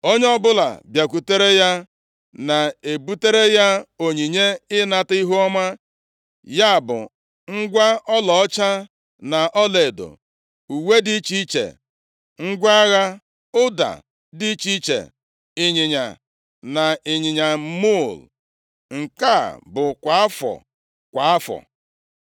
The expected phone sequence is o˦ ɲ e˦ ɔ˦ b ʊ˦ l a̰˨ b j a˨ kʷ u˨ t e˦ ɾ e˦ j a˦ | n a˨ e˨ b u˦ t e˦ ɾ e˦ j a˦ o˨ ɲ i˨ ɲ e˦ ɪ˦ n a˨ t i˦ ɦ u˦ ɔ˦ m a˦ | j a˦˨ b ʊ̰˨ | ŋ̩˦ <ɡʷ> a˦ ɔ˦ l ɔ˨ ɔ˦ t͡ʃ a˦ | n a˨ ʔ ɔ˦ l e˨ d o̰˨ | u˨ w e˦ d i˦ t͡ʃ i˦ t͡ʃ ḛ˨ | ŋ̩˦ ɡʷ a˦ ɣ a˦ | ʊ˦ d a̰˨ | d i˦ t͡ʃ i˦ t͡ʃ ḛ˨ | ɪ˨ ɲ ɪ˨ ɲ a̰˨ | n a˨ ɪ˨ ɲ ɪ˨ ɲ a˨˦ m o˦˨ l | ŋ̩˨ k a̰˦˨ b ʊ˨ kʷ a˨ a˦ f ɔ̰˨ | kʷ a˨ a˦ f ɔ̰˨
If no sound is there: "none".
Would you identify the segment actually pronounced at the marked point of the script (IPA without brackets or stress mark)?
ɡʷ